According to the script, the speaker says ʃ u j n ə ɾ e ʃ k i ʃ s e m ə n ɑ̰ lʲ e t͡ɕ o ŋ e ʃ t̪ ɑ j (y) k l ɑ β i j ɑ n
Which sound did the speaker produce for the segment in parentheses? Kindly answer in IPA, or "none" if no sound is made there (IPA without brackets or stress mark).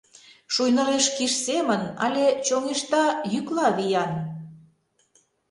y